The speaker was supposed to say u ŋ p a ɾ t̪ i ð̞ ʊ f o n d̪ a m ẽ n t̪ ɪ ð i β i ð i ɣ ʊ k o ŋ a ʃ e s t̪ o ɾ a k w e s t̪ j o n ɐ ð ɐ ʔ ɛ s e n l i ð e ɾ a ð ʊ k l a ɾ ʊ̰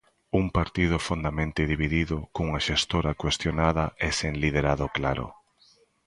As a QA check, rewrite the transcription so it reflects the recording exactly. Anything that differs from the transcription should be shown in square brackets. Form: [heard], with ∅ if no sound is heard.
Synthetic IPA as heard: u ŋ p a ɾ t̪ i ð̞ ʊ f o n d̪ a m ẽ n t̪ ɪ ð i β i ð i [ð] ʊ k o ŋ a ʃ e s t̪ o ɾ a k w e s t̪ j o n [a] ð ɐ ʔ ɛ s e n l i ð e ɾ a ð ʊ k l a ɾ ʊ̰